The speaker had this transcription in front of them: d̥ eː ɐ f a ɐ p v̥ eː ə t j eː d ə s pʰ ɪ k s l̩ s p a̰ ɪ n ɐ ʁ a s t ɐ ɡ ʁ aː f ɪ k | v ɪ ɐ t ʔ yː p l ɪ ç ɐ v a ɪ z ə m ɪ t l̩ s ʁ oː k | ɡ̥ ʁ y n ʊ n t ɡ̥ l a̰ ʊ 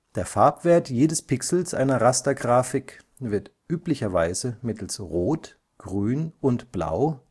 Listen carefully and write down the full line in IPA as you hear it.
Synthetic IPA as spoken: d̥ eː ɐ f a ɐ p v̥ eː ɐ t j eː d ə s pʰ ɪ k s l̩ s ʔ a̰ ɪ n ɐ ʁ a s t ɐ ɡ ʁ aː f ɪ k | v ɪ ɐ t ʔ yː p l ɪ ç ɐ v a ɪ z ə m ɪ t l̩ s ʁ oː t | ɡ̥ ʁ yː n ʊ n t b̥ l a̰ ʊ